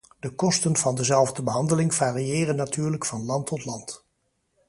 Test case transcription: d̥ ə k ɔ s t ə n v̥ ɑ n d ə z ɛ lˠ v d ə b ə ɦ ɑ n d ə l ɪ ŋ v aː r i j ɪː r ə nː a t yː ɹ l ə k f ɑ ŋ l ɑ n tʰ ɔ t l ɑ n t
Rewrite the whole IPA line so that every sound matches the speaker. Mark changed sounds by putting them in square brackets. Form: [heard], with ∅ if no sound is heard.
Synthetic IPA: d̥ ə k ɔ s t ə n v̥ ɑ n d ə z ɛ lˠ v d ə b ə ɦ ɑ n d ə l ɪ ŋ v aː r i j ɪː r ə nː a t yː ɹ l ə k f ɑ [n] l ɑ n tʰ ɔ t l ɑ n t